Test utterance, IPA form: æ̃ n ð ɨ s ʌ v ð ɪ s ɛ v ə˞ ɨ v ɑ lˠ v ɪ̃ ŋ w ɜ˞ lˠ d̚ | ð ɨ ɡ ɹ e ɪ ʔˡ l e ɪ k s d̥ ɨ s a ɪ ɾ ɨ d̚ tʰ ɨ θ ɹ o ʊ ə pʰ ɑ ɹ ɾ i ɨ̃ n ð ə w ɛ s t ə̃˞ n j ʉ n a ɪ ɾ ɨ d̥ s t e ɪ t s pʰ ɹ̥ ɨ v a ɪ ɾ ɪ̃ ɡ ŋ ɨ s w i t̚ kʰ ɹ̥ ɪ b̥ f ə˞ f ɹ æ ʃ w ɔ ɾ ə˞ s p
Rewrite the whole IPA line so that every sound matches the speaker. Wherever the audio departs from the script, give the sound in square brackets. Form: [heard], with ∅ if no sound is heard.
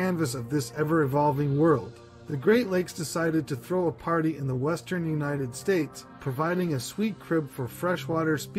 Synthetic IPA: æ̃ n [v] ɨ s ʌ v ð ɪ s ɛ v ə˞ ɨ v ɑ lˠ v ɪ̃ ŋ w ɜ˞ lˠ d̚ | ð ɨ ɡ ɹ e ɪ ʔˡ l e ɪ k s d̥ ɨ s a ɪ ɾ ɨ d̚ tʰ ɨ θ ɹ o ʊ ə pʰ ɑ ɹ ɾ i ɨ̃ n ð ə w ɛ s t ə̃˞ n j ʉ n a ɪ ɾ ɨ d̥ s t e ɪ t s pʰ ɹ̥ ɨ v a ɪ ɾ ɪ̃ [∅] ŋ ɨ s w i t̚ kʰ ɹ̥ ɪ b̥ f ə˞ f ɹ [ɛ] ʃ w ɔ ɾ ə˞ s p